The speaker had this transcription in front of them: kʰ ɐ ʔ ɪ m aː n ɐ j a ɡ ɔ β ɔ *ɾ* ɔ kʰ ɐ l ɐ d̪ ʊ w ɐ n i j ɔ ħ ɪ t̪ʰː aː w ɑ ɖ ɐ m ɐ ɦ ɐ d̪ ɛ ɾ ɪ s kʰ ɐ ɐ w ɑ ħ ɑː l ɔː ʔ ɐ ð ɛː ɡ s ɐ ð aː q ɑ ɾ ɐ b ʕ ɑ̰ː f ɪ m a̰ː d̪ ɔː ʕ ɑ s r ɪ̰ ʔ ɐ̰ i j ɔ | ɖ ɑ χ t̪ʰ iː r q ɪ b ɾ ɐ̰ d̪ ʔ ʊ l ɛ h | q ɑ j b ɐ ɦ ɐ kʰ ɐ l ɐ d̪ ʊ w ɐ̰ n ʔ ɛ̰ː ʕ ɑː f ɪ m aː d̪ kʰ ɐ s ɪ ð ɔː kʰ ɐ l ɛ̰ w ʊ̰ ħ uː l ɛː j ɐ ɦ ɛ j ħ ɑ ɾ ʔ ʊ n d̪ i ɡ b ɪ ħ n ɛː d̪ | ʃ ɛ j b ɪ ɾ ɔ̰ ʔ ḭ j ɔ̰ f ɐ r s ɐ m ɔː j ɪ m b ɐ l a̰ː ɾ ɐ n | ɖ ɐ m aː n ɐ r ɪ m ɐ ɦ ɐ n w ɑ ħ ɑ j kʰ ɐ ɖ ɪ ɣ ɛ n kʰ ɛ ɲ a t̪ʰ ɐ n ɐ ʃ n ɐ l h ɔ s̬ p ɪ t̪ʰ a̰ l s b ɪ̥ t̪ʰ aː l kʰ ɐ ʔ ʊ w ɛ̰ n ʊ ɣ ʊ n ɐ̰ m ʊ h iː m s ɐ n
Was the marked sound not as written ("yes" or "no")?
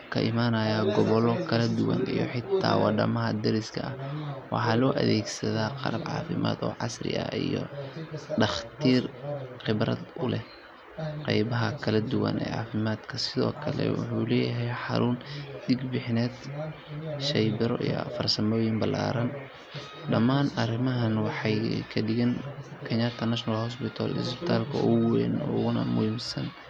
yes